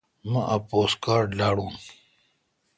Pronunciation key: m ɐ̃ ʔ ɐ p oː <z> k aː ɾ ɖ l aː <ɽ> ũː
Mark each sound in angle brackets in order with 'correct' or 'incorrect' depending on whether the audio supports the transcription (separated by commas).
incorrect, correct